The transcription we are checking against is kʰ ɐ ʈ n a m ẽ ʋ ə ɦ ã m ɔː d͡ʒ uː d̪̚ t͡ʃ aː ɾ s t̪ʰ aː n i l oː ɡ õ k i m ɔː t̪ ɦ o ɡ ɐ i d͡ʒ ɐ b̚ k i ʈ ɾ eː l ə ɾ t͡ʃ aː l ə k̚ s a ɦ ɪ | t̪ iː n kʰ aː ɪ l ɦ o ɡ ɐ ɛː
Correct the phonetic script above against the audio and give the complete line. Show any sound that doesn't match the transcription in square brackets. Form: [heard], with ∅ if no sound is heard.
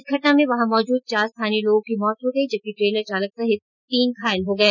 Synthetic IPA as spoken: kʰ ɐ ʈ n a m ẽ ʋ [ɐ] ɦ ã m ɔː d͡ʒ uː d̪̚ t͡ʃ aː ɾ s t̪ʰ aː n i l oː ɡ õ k i m ɔː t̪ ɦ o ɡ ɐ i d͡ʒ ɐ b̚ k i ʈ ɾ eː l ə ɾ t͡ʃ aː l ə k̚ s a ɦ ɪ | t̪ iː n kʰ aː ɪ l ɦ o ɡ ɐ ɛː